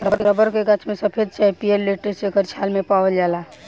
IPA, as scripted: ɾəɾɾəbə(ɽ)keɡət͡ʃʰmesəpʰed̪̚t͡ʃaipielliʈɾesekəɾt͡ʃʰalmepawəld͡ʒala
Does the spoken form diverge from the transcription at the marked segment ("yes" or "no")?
yes